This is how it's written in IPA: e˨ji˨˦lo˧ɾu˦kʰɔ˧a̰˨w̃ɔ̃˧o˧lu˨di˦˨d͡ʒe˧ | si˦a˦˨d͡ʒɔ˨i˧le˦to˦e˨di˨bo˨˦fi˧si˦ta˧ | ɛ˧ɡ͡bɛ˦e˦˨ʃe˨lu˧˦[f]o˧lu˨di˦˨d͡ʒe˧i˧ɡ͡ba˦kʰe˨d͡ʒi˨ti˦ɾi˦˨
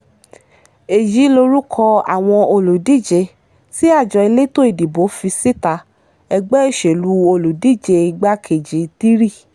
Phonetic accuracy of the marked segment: incorrect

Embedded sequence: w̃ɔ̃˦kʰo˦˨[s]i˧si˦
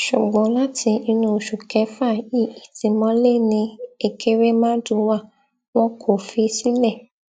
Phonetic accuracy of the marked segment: incorrect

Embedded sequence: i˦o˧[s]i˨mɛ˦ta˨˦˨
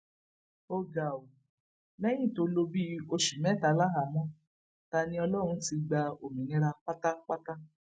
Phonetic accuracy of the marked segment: incorrect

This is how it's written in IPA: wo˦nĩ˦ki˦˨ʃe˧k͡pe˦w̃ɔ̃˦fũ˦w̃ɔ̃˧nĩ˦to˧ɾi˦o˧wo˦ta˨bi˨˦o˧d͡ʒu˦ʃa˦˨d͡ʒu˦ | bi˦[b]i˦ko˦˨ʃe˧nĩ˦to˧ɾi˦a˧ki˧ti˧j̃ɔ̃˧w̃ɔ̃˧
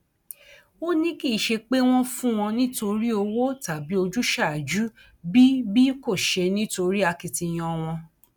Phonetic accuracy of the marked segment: correct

